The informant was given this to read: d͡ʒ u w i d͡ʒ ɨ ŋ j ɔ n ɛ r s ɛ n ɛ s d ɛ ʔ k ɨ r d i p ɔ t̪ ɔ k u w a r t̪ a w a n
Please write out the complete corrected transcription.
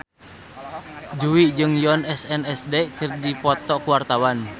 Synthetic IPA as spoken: d͡ʒ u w i d͡ʒ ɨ ŋ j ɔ n ɛ s ɛ n ɛ s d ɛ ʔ k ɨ r d i p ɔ t̪ ɔ k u w a r t̪ a w a n